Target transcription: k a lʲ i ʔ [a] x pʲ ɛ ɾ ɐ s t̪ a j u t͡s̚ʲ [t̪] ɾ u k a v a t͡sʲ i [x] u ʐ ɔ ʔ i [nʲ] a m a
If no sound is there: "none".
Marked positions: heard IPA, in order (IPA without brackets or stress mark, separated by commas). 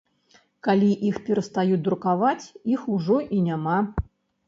i, d̪, x, nʲ